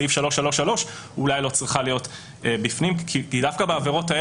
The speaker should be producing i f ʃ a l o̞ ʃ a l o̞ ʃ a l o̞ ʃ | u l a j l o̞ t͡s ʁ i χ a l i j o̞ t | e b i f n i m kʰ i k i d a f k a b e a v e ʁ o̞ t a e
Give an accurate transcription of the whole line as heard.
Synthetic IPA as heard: i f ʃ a l o̞ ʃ a l o̞ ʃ a l o̞ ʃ | u l a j l o̞ t͡s ʁ i χ a l i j o̞ t | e b i f n i m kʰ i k i d a f k a b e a v e ʁ o̞ t a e